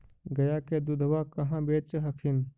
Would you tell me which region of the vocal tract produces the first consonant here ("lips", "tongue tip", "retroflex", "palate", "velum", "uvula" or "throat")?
velum